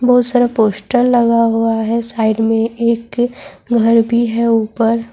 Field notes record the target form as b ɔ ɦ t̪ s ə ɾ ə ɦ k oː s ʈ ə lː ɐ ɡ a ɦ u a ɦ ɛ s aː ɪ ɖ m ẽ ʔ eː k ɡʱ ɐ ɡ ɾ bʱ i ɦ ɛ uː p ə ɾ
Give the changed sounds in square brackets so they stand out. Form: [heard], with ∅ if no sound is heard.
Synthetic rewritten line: b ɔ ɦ t̪ s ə ɾ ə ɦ [p] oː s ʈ ə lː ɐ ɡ a ɦ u a ɦ ɛ s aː ɪ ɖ m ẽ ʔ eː k ɡʱ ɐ [∅] ɾ bʱ i ɦ ɛ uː p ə ɾ